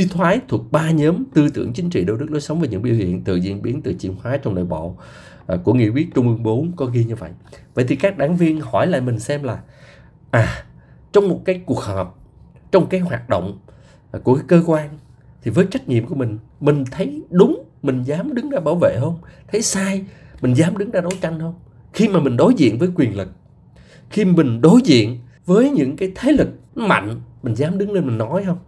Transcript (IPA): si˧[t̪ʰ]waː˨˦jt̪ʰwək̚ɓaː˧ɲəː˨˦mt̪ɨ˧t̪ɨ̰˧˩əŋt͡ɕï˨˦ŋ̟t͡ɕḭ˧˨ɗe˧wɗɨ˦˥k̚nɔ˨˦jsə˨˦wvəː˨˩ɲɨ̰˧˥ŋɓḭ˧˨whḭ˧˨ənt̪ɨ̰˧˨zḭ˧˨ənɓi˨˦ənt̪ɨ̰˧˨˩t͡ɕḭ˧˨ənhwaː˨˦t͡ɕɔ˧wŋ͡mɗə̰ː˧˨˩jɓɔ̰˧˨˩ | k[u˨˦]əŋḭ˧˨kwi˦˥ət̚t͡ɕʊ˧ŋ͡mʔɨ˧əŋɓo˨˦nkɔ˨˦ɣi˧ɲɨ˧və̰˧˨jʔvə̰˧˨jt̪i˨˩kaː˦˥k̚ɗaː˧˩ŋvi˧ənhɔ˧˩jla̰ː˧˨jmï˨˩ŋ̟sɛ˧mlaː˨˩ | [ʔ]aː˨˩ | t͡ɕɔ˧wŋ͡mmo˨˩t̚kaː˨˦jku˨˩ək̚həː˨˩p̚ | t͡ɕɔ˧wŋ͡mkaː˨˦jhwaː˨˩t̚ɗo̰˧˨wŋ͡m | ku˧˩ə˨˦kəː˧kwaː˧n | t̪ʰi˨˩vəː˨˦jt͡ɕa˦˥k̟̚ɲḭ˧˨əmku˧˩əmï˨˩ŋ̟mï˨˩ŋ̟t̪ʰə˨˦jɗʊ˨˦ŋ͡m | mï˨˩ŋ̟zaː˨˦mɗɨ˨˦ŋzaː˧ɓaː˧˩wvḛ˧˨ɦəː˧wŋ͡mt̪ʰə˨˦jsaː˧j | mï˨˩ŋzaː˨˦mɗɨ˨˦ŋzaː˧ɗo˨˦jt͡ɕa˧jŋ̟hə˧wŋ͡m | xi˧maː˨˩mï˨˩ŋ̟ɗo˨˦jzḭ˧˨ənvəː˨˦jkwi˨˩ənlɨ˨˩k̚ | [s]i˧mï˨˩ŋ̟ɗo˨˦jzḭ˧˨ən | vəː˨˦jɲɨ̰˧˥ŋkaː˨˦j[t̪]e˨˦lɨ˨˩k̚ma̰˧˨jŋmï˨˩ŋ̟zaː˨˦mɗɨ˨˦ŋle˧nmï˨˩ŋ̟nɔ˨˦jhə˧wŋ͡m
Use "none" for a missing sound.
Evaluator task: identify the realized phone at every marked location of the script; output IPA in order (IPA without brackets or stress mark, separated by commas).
t̪ʰ, u˧˩, ʔ, x, t̪ʰ